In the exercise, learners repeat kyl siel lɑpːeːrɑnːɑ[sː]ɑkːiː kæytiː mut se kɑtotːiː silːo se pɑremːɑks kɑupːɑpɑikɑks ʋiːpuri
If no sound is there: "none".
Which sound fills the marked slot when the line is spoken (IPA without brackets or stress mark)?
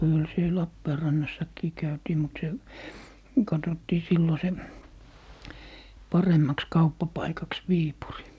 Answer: sː